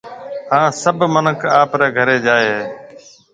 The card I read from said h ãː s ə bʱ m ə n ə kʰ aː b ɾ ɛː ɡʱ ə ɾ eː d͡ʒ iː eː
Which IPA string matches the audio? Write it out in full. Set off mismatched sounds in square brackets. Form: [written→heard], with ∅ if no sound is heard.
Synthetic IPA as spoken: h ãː s ə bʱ m ə n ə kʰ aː [b→p] ɾ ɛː ɡʱ ə ɾ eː d͡ʒ [iː→aː] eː